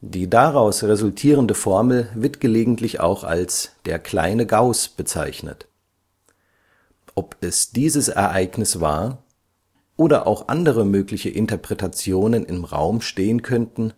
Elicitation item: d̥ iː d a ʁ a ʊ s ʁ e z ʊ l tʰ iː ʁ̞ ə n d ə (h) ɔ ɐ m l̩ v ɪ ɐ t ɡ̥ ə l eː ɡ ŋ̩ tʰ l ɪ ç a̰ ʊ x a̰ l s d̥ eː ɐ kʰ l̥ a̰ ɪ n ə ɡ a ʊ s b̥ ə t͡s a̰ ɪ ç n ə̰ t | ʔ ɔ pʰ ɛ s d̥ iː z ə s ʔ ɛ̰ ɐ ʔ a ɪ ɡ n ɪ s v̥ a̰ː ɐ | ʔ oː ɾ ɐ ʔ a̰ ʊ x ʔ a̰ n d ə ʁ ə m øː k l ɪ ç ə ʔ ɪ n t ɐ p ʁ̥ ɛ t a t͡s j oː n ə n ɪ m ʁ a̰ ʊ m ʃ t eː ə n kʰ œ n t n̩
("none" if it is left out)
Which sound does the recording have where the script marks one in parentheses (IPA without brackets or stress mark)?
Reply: f